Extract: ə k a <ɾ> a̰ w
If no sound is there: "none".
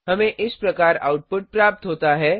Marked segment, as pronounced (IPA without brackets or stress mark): ɾ